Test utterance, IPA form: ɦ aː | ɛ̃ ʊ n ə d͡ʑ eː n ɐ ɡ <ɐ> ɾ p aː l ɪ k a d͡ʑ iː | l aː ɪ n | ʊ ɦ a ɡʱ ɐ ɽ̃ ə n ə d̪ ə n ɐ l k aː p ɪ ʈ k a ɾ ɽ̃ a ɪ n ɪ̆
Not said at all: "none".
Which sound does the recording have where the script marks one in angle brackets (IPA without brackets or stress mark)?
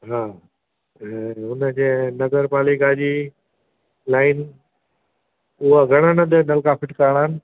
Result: ə